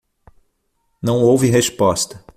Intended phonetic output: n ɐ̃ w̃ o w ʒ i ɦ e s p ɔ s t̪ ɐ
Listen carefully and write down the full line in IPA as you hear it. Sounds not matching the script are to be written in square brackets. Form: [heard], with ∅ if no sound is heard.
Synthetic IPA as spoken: n ɐ̃ w̃ o w [v] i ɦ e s p ɔ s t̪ ɐ